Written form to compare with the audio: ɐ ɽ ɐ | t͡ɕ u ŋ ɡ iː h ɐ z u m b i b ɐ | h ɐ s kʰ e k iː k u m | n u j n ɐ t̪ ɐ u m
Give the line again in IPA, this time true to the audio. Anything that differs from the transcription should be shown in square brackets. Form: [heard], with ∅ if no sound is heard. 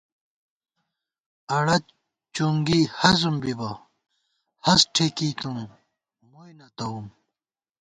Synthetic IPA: ɐ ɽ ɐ | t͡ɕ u ŋ ɡ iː h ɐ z u m b i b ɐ | h ɐ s [ʈʰ] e k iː k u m | [m] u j n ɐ t̪ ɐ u m

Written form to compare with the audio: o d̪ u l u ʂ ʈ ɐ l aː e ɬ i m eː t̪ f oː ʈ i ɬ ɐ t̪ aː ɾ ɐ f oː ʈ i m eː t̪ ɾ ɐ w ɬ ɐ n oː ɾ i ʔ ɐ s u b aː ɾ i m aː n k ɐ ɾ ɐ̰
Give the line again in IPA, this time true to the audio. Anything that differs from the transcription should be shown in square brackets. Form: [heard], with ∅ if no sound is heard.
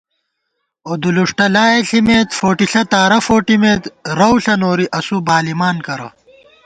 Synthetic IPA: o d̪ u l u ʂ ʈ ɐ l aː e ɬ i m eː t̪ f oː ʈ i ɬ ɐ t̪ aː ɾ ɐ f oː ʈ i m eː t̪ ɾ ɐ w ɬ ɐ n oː ɾ i ʔ ɐ s u b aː [l] i m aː n k ɐ ɾ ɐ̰

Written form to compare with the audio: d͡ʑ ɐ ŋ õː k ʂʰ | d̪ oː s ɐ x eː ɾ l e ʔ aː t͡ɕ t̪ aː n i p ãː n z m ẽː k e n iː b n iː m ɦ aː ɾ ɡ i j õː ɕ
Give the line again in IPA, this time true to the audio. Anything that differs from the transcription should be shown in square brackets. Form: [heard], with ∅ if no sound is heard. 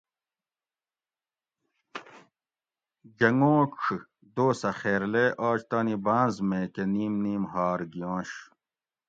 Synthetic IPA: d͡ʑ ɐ ŋ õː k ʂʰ | d̪ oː s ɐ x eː ɾ l e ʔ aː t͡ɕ t̪ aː n i [b] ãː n z m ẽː k e n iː [m] n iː m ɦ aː ɾ ɡ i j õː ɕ

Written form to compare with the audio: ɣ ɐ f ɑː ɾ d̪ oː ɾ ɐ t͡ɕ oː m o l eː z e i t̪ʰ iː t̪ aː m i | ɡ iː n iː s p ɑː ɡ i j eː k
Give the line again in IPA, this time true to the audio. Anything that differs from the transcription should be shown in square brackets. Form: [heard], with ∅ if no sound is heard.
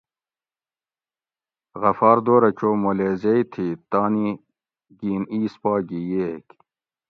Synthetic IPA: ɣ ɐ f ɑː ɾ d̪ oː ɾ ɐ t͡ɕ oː m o l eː z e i t̪ʰ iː t̪ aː [n] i | ɡ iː n iː s p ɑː ɡ i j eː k

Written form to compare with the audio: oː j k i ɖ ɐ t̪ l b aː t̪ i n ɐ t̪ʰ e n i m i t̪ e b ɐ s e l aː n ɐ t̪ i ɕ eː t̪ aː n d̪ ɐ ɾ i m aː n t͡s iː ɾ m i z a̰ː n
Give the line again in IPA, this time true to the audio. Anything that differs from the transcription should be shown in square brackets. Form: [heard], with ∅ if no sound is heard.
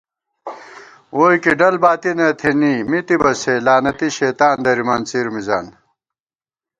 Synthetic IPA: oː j k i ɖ ɐ [∅] l b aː t̪ i n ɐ t̪ʰ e n i m i t̪ [i] b ɐ s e l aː n ɐ t̪ i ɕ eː t̪ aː n d̪ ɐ ɾ i m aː n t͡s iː ɾ m i z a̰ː n

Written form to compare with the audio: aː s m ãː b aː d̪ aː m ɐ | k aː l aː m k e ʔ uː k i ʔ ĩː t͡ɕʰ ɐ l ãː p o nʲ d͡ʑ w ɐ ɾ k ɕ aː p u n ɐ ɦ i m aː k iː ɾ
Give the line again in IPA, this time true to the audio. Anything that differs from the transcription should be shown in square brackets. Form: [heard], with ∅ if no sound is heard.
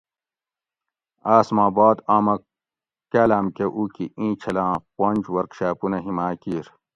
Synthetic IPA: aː s m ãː b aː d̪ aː m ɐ | k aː l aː m k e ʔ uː k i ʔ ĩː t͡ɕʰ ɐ l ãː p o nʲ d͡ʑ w ɐ ɾ k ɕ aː p u n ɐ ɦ i m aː k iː ɾ

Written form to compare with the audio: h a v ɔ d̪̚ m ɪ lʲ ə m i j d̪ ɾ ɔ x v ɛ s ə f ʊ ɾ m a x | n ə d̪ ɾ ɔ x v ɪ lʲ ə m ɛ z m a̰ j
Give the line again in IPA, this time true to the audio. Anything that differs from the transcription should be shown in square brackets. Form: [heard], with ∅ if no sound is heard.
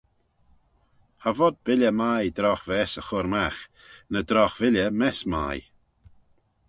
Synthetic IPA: h a v ɔ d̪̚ [b] ɪ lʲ ə m [a] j d̪ ɾ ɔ x v ɛ s ə [x] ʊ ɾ m a x | n ə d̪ ɾ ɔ x v ɪ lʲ ə m ɛ [s] m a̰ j

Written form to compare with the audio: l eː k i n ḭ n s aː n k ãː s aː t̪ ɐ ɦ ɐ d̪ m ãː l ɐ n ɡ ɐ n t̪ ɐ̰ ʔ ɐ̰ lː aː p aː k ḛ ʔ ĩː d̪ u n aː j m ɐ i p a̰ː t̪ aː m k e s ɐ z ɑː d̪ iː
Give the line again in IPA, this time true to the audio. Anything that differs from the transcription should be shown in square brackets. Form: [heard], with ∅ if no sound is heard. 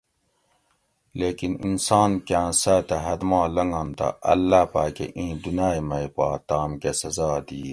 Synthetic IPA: l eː k i n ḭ n s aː n k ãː s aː t̪ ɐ ɦ ɐ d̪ m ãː l ɐ [ŋ] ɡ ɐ n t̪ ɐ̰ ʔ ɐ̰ lː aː p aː k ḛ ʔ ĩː d̪ u n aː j m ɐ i p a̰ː t̪ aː m k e s ɐ z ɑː d̪ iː

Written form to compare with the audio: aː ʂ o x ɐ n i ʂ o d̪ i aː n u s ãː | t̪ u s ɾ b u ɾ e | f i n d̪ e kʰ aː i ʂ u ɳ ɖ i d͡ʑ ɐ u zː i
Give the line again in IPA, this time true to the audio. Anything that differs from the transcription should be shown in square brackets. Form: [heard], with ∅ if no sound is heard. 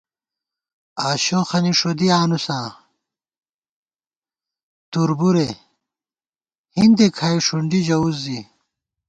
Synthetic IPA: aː [ɕ] o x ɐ n i ʂ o d̪ i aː n u s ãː | t̪ u [∅] ɾ b u ɾ e | [h] i n d̪ e kʰ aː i ʂ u ɳ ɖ i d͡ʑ ɐ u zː i

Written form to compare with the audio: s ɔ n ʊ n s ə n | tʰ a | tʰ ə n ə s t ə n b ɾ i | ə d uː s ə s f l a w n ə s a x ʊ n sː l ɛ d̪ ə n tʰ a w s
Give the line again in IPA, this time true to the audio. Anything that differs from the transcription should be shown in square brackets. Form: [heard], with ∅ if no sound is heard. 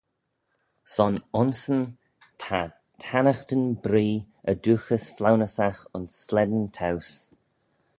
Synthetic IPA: s ɔ n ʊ n s ə n | tʰ a | tʰ [a] n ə [x] t ə n b ɾ [iː] | ə d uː [x] ə s f l a w n ə s a x ʊ n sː l ɛ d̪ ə n tʰ a w s

